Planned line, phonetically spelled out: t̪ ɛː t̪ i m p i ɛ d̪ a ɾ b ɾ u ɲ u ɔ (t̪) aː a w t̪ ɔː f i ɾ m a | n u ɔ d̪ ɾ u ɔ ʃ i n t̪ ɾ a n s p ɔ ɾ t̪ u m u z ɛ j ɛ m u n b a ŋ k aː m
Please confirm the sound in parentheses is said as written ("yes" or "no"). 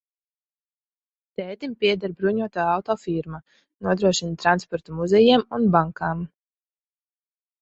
yes